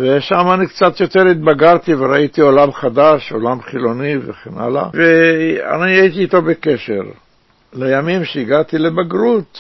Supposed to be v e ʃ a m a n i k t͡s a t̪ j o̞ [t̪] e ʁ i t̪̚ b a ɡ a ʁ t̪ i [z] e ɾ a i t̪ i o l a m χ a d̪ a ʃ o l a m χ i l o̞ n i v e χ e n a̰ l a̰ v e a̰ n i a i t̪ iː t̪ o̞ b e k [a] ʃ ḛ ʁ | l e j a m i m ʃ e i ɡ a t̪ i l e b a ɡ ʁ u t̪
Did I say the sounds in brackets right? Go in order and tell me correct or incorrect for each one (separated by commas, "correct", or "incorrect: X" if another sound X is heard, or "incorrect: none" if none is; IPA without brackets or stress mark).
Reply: correct, incorrect: v, incorrect: e